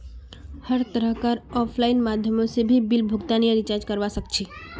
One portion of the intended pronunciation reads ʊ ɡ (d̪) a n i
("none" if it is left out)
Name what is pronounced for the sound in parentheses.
t̪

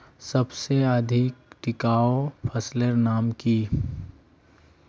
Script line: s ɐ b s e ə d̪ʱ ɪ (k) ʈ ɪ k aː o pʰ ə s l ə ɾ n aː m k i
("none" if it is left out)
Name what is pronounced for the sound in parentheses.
k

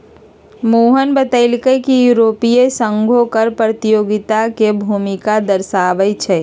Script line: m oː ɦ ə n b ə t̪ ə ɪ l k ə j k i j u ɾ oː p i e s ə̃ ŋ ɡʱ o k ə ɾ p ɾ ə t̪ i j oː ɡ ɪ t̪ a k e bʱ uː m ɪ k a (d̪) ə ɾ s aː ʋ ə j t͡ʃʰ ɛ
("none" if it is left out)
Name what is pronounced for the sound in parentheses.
d̪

